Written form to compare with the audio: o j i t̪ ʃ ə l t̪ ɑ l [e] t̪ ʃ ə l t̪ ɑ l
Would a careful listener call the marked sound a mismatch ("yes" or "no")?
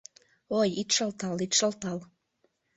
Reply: yes